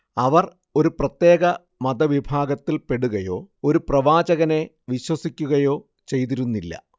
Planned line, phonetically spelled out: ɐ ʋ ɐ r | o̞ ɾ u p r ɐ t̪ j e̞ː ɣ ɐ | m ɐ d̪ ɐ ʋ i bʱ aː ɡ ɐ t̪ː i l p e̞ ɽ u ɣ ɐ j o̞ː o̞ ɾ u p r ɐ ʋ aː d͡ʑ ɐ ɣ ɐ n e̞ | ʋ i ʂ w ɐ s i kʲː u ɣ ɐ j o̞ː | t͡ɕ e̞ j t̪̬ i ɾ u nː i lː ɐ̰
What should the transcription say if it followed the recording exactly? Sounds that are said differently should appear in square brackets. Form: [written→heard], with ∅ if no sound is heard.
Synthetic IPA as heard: ɐ ʋ ɐ r | o̞ ɾ u p r ɐ t̪ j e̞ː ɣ ɐ | m ɐ d̪ ɐ ʋ i bʱ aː ɡ ɐ t̪ː i l p e̞ ɽ u ɣ ɐ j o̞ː o̞ ɾ u p r ɐ ʋ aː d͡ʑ ɐ ɣ ɐ n e̞ | ʋ i [ʂ→ɕ] w ɐ s i kʲː u ɣ ɐ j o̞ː | t͡ɕ e̞ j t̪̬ i ɾ u nː i lː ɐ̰